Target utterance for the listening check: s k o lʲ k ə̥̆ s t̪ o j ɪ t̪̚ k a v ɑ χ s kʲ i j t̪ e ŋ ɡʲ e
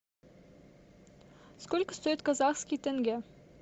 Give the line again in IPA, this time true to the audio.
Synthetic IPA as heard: s k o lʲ k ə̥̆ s t̪ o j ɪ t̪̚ k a z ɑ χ s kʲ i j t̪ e ŋ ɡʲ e